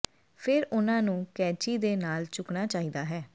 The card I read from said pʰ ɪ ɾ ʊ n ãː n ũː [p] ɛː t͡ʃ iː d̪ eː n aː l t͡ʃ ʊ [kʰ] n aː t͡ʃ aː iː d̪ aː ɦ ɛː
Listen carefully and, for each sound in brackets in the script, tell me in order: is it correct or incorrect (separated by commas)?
incorrect, incorrect